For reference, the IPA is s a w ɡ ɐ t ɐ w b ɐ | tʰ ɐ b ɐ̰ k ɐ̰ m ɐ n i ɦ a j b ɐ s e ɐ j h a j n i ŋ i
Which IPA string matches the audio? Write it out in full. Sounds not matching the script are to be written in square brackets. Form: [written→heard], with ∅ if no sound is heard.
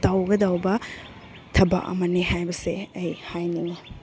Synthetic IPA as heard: [s→t] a w ɡ ɐ [t→d] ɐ w b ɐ | tʰ ɐ b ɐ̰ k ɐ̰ m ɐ n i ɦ a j b ɐ s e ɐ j h a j n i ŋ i